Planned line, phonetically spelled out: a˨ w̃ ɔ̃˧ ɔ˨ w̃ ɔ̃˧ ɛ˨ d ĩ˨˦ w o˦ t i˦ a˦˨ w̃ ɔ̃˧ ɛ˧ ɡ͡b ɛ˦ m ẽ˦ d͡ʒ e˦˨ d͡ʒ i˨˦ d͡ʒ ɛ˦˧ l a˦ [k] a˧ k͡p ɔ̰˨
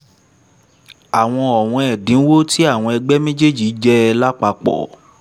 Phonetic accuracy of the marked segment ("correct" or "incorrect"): incorrect